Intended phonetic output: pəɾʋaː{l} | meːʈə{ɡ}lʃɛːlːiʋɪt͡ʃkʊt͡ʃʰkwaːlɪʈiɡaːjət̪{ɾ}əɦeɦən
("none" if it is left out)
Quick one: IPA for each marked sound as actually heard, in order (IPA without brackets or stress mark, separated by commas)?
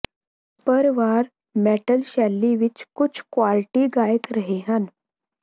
ɾ, none, ɾ